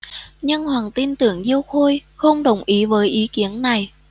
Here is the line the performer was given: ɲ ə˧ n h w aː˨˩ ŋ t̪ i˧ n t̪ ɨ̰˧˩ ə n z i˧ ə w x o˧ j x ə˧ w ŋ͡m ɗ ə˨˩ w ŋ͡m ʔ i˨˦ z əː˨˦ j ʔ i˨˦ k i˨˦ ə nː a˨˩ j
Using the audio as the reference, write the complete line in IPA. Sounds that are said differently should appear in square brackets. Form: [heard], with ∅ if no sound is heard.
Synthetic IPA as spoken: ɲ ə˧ n h w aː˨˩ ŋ t̪ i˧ n t̪ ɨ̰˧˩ ə [ŋ] z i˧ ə w x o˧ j x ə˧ w ŋ͡m ɗ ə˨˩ w ŋ͡m ʔ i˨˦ [v] əː˨˦ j ʔ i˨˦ k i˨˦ ə nː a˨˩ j